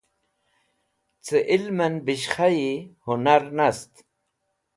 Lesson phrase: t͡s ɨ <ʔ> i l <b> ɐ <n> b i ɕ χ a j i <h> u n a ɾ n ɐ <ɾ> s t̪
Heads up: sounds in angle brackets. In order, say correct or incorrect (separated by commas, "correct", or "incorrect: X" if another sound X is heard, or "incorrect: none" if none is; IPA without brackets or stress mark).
correct, incorrect: m, correct, correct, incorrect: none